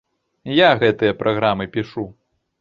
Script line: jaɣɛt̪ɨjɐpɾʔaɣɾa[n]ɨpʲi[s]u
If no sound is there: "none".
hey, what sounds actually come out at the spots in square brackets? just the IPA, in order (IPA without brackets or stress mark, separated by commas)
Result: m, ʂ